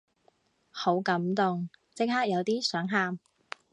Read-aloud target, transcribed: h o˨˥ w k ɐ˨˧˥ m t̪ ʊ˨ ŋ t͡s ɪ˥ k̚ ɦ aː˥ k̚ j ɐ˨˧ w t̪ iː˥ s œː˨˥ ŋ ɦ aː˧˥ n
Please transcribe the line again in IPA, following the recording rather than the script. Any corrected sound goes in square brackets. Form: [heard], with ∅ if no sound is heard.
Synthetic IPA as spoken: h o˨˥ w k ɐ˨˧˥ m t̪ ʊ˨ ŋ t͡s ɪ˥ k̚ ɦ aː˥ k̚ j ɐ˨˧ w t̪ iː˥ s œː˨˥ ŋ ɦ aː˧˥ [m]